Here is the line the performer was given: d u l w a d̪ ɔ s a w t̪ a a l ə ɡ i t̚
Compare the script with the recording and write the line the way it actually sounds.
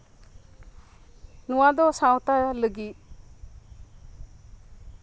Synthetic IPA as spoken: n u w a d̪ ɔ s a w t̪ a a l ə ɡ i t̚